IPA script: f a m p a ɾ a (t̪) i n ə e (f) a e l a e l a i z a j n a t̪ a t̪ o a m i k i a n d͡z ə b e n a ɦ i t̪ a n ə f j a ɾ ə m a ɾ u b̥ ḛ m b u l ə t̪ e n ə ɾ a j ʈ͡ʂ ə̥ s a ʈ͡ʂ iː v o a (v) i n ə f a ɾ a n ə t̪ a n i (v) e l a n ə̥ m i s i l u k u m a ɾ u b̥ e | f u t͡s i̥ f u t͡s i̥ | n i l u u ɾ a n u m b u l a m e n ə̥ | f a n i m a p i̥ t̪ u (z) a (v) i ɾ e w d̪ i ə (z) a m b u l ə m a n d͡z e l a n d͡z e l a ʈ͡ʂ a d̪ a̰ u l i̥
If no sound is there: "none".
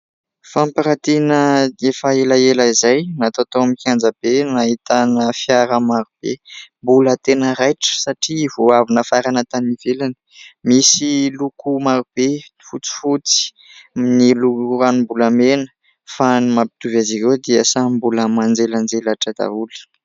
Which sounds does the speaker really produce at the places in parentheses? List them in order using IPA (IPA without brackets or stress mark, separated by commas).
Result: t̪, f, v, v, v, z, s